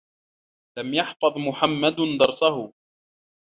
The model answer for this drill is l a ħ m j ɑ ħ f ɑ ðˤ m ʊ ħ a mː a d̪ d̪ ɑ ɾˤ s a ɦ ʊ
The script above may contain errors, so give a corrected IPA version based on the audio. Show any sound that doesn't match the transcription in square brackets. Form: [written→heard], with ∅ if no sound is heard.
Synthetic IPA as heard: l a [ħ→∅] m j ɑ ħ f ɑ ðˤ m ʊ ħ a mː a d̪ d̪ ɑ ɾˤ s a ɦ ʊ